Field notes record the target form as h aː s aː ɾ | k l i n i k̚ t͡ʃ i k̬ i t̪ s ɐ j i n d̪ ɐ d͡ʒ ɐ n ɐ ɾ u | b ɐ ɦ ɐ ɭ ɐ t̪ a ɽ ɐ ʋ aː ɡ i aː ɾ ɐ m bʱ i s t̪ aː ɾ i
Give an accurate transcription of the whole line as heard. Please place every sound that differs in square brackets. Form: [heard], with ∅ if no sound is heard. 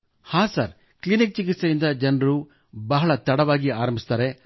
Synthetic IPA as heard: h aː s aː ɾ | k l i n i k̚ t͡ʃ i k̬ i t̪ s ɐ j i n d̪ ɐ d͡ʒ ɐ n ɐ ɾ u | b ɐ ɦ ɐ ɭ ɐ t̪ [ɐ] ɽ ɐ ʋ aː ɡ i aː ɾ ɐ m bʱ i s t̪ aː ɾ [e]